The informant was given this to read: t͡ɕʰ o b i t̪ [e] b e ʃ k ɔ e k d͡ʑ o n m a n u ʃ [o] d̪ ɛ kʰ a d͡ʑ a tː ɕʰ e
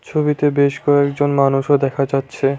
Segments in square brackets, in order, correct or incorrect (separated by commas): correct, correct